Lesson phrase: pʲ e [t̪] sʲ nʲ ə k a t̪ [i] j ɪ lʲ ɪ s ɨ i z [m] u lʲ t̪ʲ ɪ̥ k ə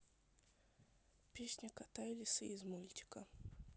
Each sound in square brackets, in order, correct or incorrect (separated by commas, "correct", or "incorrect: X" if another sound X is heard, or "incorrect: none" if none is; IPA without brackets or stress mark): incorrect: none, incorrect: a, correct